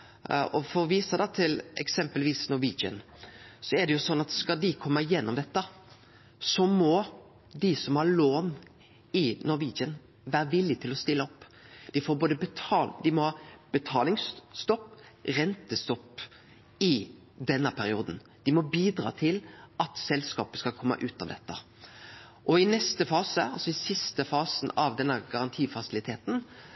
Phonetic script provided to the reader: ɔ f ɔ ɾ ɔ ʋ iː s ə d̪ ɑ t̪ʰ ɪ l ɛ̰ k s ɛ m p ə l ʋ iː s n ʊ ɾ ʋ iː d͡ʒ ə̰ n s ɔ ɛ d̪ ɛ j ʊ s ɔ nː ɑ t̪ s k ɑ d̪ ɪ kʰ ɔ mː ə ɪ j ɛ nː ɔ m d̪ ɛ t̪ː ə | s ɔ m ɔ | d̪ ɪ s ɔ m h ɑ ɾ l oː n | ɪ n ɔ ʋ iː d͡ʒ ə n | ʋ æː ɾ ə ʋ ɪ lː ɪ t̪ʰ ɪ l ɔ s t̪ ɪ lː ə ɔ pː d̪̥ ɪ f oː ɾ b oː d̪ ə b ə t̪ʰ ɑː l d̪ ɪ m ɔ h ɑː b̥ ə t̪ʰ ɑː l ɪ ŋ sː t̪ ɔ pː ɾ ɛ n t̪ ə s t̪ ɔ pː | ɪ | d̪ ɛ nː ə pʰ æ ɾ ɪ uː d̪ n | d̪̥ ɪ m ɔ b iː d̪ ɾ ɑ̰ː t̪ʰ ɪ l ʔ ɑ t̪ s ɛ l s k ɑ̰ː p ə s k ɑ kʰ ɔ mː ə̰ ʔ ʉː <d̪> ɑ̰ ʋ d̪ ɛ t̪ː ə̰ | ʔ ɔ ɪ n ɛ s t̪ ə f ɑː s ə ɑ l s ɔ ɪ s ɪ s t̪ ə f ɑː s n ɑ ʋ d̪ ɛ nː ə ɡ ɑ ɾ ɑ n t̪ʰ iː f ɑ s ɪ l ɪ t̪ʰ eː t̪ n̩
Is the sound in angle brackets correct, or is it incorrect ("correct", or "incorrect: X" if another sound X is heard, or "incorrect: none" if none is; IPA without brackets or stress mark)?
incorrect: t̪